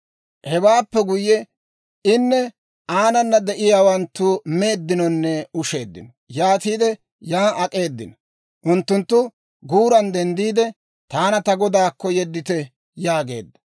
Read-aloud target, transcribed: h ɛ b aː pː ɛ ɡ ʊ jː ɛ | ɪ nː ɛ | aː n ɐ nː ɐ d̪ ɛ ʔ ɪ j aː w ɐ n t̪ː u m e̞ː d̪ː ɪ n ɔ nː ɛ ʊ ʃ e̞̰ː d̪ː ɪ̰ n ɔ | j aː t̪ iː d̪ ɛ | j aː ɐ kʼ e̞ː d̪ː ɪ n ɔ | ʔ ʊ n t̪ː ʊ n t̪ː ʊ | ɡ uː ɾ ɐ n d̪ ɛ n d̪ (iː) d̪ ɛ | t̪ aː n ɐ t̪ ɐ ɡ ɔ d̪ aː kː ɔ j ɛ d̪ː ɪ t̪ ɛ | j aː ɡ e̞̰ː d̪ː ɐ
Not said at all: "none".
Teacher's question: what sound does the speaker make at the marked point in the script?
iː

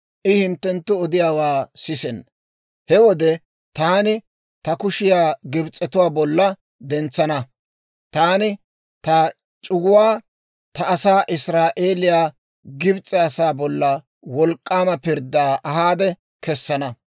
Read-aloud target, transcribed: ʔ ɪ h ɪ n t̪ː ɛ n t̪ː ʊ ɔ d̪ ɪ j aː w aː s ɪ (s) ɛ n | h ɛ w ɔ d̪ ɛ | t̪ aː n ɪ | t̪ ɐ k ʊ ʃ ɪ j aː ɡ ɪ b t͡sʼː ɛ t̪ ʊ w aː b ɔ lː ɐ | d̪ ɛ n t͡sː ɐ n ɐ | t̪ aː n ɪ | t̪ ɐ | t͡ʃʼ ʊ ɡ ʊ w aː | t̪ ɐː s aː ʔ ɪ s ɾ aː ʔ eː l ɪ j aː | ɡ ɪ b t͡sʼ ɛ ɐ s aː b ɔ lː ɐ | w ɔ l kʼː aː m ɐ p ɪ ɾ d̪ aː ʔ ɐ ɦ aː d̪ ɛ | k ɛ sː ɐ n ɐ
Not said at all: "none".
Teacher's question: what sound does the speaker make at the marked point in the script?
s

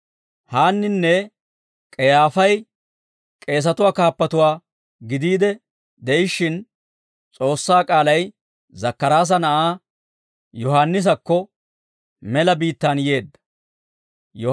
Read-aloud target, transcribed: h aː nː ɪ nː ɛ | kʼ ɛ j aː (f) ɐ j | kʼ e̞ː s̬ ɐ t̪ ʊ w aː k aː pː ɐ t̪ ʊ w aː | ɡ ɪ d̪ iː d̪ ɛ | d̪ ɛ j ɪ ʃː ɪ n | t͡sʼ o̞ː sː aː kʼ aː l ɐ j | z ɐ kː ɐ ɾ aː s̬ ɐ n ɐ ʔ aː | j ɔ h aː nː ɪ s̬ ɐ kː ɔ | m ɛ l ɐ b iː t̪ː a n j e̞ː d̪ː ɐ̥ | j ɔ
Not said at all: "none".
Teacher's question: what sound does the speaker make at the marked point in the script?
f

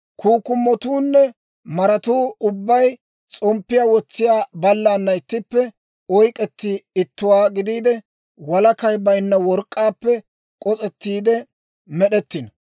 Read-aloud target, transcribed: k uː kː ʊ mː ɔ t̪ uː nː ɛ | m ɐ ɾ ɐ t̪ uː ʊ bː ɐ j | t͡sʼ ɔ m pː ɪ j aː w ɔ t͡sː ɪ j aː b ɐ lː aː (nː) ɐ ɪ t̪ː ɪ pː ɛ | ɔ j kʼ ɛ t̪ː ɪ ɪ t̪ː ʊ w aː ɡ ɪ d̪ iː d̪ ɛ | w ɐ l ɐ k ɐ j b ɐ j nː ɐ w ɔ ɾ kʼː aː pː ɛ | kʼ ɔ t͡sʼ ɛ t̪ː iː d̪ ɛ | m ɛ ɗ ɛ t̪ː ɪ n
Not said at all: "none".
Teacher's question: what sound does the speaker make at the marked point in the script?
nː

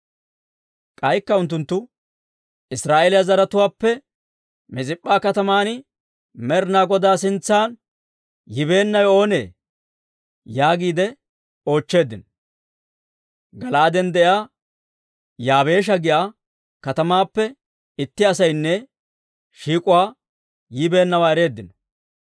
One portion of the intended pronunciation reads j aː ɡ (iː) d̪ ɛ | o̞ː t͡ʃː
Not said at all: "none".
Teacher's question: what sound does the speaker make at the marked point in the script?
iː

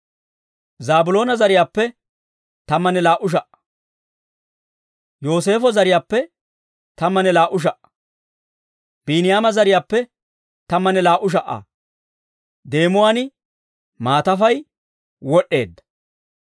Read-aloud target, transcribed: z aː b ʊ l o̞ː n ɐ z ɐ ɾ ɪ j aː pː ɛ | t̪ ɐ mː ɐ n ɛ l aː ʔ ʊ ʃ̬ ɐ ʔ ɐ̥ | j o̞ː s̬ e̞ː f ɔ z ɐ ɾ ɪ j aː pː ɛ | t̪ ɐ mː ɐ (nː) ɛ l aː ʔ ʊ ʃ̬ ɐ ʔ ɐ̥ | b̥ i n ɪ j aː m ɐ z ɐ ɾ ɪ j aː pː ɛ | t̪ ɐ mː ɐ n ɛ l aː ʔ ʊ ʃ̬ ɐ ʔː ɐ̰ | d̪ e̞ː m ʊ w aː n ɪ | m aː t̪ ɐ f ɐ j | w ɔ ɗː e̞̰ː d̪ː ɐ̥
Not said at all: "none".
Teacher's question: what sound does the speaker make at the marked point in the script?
n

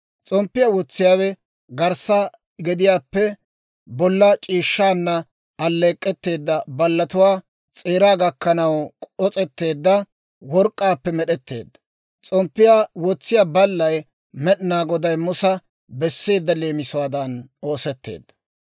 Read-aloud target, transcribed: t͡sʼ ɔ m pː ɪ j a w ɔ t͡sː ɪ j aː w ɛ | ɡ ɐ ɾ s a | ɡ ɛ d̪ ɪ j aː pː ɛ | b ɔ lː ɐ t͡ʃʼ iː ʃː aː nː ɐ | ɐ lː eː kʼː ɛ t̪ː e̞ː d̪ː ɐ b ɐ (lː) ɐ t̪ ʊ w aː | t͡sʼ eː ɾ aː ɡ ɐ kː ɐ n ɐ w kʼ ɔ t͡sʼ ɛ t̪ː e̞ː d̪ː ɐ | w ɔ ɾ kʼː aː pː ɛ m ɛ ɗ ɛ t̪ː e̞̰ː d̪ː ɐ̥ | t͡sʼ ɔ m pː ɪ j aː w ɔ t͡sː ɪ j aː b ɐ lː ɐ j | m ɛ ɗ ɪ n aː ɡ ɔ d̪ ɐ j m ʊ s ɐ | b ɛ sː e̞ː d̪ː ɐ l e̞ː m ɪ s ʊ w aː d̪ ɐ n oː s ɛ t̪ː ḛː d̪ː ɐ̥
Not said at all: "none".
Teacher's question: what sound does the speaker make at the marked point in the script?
lː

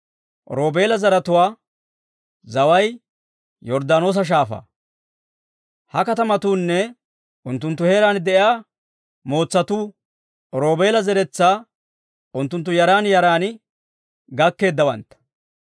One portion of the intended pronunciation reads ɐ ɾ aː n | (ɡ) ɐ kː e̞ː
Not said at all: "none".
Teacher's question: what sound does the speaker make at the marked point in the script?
ɡ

